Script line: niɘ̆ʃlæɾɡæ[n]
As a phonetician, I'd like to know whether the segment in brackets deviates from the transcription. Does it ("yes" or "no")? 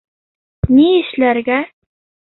yes